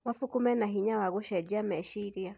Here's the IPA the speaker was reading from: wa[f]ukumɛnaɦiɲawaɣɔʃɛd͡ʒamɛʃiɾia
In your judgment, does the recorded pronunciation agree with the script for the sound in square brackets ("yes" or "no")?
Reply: yes